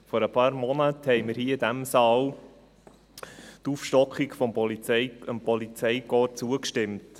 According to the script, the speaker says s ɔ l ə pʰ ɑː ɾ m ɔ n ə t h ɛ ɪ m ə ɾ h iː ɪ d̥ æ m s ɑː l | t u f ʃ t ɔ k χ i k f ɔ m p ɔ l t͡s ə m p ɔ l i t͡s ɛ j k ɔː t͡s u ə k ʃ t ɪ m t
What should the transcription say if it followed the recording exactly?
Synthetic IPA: f ɔ ɾ ə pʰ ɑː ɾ m ɔ n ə t h ɛ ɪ m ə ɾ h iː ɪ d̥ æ m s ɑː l | t u f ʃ t ɔ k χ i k f ɔ m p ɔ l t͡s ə m p ɔ l i t͡s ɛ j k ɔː t͡s u ə k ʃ t ɪ m t